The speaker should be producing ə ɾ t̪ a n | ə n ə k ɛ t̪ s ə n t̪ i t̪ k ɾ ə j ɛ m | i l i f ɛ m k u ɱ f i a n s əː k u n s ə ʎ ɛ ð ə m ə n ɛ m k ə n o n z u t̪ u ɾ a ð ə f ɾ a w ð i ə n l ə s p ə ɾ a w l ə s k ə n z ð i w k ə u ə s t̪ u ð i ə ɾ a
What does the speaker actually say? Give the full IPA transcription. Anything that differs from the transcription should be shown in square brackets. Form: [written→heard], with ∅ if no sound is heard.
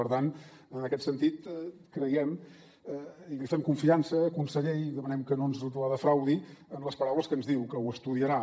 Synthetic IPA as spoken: ə ɾ t̪ a n | ə n ə k ɛ t̪ s ə n t̪ i t̪ k ɾ ə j ɛ m | i l i f ɛ m k u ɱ f i a n s əː k u n s ə ʎ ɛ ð ə m ə n ɛ m k ə n o n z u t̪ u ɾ a ð ə f ɾ a w ð i ə n l ə s p ə ɾ a w l ə s k ə n z ð i w k ə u ə s t̪ u ð i ə ɾ a